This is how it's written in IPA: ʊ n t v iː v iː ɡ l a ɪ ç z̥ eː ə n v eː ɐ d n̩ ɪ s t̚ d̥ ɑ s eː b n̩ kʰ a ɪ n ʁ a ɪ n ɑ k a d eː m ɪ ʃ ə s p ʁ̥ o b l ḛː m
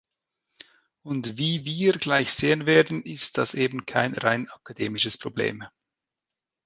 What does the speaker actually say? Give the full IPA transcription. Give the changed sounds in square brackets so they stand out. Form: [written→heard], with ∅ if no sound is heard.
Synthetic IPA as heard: ʊ n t v iː v iː ɡ l a ɪ ç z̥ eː ə n v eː ɐ d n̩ ɪ s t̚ d̥ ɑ s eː b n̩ kʰ a ɪ n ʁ a ɪ n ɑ k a d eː m ɪ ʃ ə s p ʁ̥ o b l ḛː m